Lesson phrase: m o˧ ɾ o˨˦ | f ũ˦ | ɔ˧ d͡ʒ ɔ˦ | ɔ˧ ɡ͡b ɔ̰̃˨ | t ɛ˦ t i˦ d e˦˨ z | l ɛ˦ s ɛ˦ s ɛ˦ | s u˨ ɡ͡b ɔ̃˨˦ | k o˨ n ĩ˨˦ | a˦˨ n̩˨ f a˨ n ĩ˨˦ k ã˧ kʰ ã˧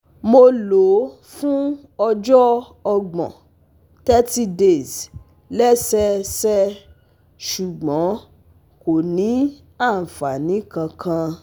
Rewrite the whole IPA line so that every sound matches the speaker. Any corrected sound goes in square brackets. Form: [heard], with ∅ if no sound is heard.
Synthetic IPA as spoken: m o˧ [l] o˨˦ | f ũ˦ | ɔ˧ d͡ʒ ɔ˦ | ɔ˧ ɡ͡b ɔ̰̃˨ | t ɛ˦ t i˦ d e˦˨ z | l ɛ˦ s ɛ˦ s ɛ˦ | [ʃ] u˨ ɡ͡b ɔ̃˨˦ | k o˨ n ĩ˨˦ | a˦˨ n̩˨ f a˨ n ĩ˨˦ k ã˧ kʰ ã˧